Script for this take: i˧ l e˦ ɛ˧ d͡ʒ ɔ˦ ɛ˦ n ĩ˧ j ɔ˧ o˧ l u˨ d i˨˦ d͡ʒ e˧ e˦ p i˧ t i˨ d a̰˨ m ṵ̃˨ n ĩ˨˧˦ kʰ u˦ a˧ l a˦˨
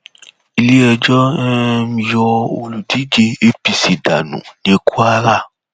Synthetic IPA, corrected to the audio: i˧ l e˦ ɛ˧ d͡ʒ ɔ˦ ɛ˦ m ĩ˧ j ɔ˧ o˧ l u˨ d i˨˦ d͡ʒ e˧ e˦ p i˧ s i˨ d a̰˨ n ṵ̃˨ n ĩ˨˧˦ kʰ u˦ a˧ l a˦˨